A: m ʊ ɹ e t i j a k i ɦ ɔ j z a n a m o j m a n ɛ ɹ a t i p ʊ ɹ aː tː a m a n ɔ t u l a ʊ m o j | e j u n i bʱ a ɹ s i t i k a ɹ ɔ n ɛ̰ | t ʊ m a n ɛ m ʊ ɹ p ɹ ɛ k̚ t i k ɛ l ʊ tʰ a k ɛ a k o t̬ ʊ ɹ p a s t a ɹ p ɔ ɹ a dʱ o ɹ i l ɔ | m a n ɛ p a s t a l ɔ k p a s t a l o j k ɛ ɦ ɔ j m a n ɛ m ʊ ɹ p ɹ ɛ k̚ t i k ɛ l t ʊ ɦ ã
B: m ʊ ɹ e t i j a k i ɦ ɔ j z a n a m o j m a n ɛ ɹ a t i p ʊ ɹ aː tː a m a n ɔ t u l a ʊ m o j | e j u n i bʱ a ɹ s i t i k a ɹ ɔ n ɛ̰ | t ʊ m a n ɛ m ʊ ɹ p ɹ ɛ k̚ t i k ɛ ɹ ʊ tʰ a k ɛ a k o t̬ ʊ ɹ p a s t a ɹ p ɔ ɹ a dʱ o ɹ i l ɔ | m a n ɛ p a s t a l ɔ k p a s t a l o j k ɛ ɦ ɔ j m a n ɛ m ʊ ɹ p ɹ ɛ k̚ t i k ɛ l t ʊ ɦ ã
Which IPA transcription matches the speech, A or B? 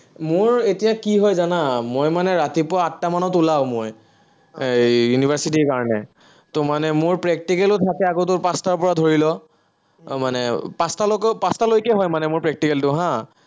A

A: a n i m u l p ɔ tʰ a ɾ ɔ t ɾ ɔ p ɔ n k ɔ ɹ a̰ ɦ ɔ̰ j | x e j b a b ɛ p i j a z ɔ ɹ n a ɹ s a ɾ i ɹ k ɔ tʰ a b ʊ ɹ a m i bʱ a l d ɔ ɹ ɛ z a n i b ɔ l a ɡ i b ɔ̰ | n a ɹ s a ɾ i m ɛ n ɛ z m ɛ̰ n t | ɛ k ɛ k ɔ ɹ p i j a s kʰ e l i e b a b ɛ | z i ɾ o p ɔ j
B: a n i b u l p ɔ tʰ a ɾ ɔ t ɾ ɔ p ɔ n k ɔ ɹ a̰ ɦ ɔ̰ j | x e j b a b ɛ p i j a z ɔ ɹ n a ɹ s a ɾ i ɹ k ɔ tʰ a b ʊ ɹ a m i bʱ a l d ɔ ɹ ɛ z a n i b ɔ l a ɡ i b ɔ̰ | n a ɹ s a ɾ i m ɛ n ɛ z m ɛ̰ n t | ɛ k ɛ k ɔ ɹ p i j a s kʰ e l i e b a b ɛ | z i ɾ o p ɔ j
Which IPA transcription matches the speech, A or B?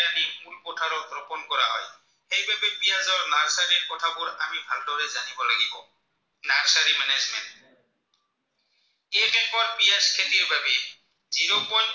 A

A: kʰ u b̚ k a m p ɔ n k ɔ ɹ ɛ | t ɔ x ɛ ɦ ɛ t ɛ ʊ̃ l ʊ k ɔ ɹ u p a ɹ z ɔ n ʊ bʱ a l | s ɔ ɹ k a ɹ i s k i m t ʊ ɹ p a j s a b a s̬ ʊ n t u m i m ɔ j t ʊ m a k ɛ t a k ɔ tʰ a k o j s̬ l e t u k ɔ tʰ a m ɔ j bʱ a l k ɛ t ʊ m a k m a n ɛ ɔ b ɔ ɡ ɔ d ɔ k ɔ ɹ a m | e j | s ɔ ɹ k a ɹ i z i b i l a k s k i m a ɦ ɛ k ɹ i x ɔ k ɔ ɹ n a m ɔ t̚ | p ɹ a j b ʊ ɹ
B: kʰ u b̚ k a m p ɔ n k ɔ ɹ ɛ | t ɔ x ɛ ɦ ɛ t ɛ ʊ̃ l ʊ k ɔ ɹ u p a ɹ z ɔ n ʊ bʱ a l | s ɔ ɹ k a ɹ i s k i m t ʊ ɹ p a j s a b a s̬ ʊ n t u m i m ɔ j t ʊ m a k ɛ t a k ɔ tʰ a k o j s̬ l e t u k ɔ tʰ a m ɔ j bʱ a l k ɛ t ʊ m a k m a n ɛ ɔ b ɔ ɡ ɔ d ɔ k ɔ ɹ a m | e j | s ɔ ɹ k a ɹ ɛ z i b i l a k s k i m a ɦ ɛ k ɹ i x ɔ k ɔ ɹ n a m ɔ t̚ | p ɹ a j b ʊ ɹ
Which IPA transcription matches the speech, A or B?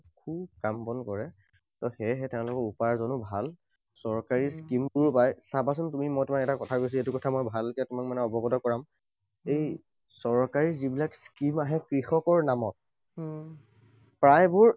A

